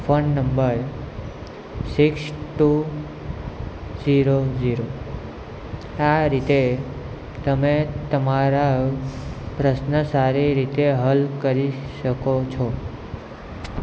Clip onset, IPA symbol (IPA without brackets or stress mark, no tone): f